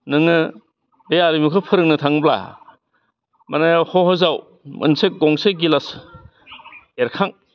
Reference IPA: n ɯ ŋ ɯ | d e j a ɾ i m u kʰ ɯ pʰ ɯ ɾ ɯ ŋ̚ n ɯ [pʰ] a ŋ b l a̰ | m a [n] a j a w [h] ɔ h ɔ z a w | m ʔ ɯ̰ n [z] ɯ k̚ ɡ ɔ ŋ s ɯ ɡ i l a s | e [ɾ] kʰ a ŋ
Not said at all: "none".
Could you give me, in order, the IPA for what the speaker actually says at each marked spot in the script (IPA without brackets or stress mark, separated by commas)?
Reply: tʰ, n, h, s, ɾ